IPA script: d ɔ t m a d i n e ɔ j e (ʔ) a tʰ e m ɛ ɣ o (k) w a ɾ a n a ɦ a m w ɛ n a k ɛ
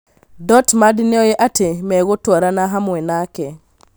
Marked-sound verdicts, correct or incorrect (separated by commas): correct, incorrect